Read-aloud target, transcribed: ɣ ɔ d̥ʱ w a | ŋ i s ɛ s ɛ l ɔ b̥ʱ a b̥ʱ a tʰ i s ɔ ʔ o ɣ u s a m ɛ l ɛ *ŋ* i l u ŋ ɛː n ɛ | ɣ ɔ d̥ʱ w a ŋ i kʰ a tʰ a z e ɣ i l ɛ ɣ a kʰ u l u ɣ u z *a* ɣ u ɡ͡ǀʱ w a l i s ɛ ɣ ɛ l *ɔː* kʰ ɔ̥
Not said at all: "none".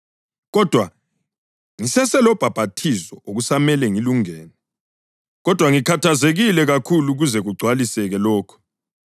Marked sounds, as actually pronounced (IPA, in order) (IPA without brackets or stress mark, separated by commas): ŋ, ɛ, ɔː